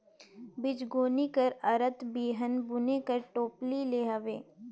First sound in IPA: b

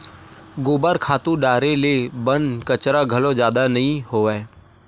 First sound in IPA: ɡ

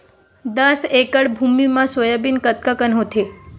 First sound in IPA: d̪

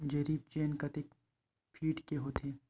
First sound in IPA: d͡ʒ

